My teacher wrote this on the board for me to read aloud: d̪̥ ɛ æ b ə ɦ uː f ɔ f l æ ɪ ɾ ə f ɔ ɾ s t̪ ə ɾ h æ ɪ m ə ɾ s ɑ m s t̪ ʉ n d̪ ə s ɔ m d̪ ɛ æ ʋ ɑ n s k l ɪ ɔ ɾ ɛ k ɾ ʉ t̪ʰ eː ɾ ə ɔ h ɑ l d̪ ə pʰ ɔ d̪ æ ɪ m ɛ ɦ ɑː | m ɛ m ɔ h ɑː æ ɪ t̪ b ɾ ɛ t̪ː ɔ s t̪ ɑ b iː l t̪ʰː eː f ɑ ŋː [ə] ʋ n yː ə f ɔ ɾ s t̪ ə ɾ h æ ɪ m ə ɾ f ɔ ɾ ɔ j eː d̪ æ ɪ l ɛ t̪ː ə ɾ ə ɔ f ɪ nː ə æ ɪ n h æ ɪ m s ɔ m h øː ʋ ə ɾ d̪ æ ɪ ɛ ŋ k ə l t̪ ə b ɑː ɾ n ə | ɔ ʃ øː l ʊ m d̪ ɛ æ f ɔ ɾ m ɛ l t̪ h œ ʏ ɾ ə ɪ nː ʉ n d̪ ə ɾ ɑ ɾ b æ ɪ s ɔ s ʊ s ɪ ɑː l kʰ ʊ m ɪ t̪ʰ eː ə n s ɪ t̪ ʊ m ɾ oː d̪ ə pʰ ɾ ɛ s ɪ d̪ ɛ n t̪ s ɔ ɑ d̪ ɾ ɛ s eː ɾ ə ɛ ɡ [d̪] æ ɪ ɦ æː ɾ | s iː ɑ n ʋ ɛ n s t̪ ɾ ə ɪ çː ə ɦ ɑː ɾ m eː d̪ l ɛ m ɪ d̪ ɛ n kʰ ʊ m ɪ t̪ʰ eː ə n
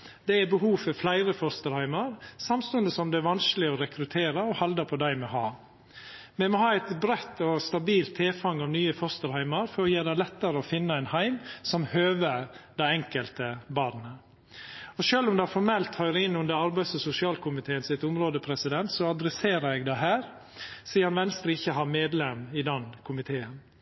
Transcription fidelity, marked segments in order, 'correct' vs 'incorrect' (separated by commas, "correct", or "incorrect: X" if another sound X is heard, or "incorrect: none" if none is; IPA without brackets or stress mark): incorrect: ɑ, correct